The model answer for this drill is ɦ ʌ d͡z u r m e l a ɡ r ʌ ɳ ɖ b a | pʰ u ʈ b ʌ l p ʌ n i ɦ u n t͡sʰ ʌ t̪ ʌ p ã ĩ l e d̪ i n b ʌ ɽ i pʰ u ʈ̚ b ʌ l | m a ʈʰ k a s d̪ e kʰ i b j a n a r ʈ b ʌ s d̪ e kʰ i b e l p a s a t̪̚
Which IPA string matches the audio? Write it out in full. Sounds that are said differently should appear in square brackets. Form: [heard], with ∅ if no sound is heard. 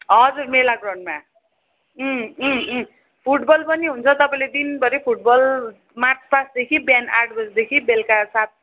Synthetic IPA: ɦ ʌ d͡z u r m e l a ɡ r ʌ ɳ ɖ [m] a | pʰ u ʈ b ʌ l p ʌ n i ɦ u n t͡sʰ ʌ t̪ ʌ p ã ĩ l e d̪ i n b ʌ [ɾ] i pʰ u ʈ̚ b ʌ l | m a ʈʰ [p] a s d̪ e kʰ i b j a n a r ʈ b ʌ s d̪ e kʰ i b e l [k] a s a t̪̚